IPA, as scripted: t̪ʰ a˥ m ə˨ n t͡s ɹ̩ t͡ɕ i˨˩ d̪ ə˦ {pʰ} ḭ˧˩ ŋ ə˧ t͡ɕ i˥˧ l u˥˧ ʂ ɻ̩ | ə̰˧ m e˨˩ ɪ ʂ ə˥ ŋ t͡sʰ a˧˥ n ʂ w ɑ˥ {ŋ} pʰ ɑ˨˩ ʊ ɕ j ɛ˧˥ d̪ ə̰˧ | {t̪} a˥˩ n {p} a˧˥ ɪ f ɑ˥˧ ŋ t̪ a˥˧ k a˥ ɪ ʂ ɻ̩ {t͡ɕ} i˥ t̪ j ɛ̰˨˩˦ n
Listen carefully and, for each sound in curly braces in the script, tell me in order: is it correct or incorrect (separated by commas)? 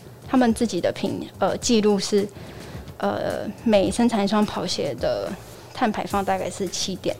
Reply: correct, correct, incorrect, incorrect, incorrect